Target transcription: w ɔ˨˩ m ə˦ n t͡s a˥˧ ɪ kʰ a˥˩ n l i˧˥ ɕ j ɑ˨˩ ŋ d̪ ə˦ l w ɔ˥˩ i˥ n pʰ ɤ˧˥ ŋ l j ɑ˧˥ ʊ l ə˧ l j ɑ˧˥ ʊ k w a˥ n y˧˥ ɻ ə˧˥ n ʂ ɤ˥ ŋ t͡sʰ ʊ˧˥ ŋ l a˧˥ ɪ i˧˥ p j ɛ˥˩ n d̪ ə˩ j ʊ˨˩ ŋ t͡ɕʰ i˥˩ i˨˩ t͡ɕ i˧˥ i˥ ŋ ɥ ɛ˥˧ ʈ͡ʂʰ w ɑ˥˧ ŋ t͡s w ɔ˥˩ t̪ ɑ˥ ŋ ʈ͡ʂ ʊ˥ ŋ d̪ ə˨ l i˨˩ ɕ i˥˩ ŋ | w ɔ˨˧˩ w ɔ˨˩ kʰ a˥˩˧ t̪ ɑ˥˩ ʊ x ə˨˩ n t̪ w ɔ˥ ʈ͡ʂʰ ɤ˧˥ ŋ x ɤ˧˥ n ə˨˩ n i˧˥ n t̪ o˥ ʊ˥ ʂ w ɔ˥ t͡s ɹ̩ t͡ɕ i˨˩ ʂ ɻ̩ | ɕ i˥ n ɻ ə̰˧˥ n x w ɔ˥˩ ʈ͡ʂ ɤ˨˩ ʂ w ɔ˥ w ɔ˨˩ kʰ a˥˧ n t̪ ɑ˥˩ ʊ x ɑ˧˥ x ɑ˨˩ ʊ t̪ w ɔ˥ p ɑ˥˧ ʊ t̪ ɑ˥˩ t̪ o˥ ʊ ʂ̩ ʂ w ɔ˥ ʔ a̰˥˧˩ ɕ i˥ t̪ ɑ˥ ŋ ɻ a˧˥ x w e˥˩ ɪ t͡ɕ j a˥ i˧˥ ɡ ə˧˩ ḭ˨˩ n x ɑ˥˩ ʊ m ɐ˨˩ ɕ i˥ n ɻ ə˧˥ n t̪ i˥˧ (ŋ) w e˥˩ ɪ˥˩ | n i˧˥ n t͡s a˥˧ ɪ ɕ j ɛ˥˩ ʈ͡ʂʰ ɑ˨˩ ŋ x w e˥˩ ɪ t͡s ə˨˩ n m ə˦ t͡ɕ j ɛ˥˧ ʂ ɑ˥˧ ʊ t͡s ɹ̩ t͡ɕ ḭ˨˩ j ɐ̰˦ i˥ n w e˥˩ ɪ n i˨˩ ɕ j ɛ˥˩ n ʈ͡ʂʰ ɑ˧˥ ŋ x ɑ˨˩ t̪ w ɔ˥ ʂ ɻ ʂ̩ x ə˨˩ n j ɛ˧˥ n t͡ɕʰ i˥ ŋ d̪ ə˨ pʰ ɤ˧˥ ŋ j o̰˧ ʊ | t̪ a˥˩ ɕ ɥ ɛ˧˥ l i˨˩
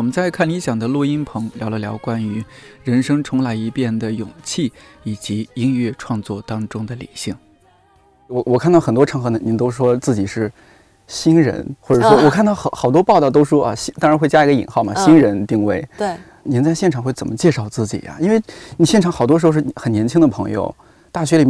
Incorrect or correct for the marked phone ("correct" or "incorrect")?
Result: correct